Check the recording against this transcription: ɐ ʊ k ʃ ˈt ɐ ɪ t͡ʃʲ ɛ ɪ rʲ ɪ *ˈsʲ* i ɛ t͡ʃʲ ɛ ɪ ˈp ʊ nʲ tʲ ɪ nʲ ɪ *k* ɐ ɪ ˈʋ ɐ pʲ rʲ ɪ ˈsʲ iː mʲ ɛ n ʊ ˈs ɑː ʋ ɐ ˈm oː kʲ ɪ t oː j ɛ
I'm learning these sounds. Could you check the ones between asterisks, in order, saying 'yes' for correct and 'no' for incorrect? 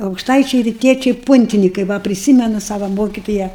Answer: no, yes

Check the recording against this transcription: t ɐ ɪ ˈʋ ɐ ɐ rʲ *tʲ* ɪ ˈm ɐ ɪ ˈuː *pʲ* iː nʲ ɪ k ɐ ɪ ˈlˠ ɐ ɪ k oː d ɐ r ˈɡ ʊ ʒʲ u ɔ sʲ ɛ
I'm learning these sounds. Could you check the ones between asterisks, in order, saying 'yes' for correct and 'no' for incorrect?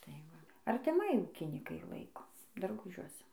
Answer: yes, no

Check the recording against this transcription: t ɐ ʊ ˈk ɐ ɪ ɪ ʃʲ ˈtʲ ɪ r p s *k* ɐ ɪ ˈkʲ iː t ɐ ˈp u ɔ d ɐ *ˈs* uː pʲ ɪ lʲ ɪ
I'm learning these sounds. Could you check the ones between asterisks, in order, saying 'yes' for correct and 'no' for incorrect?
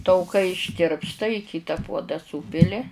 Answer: no, yes

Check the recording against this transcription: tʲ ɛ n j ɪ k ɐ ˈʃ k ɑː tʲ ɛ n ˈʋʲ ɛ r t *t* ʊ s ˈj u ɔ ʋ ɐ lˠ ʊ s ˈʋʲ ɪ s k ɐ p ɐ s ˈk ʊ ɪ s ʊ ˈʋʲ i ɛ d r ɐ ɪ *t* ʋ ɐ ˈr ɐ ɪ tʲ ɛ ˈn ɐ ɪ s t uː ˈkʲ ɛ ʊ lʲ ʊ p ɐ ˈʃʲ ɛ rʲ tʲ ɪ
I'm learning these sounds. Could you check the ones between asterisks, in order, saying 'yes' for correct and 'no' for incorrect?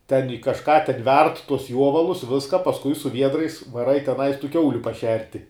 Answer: yes, no

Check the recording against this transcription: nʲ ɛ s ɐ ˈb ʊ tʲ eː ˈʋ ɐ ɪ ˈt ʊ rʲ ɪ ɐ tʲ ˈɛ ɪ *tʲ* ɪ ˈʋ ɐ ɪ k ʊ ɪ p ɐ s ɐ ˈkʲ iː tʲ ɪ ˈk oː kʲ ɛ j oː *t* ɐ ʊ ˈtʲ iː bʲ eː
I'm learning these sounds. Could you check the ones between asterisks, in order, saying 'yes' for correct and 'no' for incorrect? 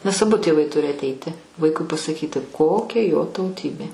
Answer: yes, yes

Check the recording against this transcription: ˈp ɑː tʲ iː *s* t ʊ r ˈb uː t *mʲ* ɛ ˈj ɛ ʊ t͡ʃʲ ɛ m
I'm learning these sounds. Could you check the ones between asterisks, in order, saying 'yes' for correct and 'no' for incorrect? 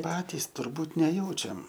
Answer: yes, no

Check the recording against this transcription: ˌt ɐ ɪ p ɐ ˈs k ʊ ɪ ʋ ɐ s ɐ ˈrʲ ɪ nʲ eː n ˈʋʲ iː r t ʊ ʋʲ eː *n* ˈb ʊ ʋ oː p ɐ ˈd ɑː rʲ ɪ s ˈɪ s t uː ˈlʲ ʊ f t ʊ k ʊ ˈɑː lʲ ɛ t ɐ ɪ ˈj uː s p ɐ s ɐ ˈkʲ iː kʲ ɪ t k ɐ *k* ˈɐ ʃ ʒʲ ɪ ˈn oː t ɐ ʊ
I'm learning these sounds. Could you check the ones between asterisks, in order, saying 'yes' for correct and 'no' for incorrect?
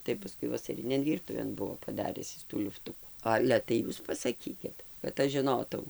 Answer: yes, no

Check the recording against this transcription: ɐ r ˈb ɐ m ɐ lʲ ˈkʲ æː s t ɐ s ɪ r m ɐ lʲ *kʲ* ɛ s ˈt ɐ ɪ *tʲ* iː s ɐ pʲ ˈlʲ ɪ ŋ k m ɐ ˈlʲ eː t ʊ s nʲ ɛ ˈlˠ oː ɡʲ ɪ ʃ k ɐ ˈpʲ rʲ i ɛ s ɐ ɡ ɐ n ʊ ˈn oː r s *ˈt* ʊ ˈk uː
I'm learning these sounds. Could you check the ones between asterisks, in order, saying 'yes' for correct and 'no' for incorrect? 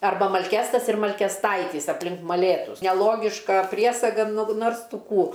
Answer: yes, yes, yes

